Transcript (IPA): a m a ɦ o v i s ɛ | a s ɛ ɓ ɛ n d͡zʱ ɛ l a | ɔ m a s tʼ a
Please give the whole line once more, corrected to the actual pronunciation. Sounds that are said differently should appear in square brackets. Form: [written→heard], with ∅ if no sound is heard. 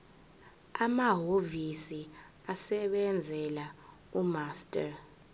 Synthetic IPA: a m a ɦ o v i s [ɛ→i] | a s ɛ ɓ ɛ n d͡zʱ ɛ l a | [ɔ→u] m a s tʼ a